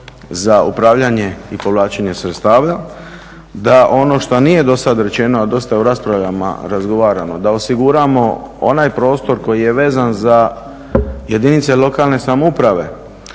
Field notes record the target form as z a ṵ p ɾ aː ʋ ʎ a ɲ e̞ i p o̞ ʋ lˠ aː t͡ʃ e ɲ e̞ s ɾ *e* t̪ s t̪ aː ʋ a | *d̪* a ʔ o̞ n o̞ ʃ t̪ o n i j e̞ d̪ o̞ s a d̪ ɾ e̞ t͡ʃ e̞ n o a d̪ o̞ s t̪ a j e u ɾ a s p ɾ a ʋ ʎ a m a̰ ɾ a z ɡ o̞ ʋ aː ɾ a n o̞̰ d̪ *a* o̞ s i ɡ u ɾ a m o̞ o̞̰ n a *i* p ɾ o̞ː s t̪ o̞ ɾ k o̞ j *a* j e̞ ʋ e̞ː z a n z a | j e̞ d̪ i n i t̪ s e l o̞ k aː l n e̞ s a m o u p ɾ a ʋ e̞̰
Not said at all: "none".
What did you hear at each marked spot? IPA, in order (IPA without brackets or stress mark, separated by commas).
e, d̪, a, j, i